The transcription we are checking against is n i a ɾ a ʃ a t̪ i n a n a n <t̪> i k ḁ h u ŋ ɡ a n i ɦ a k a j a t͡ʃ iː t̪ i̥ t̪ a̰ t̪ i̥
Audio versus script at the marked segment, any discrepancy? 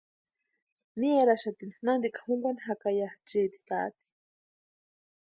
yes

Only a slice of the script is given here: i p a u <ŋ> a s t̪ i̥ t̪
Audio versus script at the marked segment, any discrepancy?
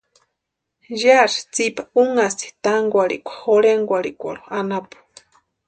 no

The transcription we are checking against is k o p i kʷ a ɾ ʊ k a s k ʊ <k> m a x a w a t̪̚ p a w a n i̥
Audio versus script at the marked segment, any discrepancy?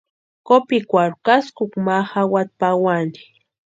no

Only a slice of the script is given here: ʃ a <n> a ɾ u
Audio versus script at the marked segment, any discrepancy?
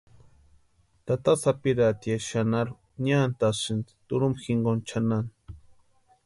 no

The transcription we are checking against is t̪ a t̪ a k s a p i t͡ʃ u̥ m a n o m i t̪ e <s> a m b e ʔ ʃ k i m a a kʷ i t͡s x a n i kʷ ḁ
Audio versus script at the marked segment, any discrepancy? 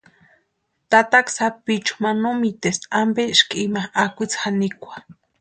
no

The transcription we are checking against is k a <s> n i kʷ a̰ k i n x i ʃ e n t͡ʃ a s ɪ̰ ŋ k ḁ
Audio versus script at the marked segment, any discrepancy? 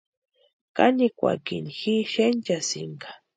yes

